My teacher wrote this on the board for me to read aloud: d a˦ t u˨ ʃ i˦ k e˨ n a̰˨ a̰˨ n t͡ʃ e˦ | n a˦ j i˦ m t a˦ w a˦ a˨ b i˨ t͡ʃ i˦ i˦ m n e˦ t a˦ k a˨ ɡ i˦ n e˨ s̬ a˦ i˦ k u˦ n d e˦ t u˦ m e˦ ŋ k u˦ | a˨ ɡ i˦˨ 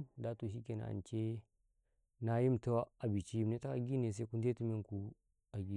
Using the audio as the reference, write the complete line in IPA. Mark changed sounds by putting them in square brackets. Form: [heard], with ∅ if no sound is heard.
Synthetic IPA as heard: d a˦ t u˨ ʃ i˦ k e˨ n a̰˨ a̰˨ n t͡ʃ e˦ | n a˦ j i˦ m t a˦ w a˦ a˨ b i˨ t͡ʃ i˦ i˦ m n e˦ t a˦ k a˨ ɡ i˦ n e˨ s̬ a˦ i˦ k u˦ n d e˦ t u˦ m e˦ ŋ k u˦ | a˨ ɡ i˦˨

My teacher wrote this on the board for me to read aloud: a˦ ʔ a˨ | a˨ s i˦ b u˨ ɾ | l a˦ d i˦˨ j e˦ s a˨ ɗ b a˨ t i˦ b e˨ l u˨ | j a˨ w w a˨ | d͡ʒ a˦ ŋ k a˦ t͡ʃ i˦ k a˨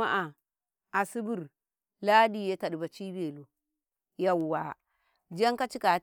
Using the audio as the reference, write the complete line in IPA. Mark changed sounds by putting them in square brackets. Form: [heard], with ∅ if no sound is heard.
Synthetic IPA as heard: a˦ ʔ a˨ | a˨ s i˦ b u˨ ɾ | l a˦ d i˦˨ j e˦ [t] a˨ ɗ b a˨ [t͡ʃ] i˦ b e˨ l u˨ | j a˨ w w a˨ | d͡ʒ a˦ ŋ k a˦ t͡ʃ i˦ k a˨

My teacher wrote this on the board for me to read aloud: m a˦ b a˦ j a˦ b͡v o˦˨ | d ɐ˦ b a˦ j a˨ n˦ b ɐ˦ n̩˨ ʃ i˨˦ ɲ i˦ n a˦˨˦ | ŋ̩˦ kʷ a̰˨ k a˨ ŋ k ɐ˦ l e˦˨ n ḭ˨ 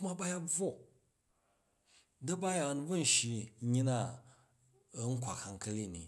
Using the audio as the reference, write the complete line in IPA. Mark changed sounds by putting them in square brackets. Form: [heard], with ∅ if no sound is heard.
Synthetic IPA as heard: m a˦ b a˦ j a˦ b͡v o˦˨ | d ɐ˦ b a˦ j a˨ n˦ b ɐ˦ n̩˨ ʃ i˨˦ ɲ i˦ n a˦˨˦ | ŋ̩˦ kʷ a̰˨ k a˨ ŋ k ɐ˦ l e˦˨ n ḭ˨

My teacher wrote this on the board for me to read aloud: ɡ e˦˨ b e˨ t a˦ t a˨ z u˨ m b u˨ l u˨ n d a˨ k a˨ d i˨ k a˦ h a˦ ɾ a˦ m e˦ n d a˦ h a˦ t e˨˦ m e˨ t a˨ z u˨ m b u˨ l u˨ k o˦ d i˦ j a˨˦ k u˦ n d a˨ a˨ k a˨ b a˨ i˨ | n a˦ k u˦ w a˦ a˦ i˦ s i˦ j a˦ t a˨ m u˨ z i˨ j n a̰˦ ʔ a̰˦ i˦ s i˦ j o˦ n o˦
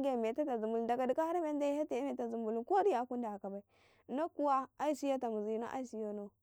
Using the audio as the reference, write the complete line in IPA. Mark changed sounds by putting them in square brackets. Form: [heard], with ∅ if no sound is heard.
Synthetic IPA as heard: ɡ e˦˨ [m] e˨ t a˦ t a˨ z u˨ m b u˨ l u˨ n d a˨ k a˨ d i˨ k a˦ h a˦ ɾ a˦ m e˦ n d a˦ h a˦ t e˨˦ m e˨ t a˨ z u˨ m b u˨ l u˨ k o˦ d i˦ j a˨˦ k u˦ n d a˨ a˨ k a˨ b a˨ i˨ | n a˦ k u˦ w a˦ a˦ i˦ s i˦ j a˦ t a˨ m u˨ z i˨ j n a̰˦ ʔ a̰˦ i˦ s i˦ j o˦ n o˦

